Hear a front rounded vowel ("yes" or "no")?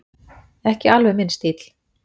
no